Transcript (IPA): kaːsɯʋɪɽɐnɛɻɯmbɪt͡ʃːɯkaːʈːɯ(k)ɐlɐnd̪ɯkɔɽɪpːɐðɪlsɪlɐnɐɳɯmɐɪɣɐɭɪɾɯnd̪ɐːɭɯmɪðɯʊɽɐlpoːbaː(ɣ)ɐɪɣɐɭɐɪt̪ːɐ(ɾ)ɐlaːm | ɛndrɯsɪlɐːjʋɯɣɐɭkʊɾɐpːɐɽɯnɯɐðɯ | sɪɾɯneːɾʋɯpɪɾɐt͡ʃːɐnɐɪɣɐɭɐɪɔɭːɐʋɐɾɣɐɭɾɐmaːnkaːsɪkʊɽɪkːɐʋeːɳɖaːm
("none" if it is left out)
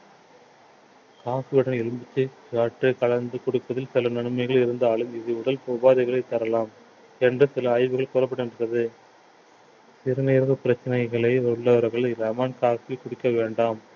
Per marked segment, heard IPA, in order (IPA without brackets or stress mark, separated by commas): k, ð, ɾ